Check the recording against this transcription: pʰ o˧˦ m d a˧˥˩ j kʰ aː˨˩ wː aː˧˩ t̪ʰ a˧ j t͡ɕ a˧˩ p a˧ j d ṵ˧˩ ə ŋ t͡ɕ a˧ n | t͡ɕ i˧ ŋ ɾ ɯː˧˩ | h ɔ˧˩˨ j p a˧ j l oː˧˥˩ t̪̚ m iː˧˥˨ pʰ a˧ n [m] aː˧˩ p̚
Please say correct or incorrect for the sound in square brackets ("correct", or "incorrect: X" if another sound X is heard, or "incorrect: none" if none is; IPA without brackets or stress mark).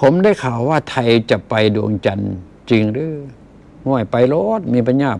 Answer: incorrect: ɲ